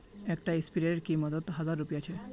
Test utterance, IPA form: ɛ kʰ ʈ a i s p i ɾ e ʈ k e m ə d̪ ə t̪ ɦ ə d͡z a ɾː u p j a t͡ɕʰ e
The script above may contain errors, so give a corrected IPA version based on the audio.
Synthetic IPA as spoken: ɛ k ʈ a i s p i ɾ e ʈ k i m ə d̪ ə t̪ ɦ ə d͡z a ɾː u p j a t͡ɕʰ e